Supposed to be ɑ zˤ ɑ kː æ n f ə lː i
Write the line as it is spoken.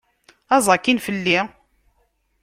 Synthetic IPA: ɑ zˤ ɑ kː i n f ə lː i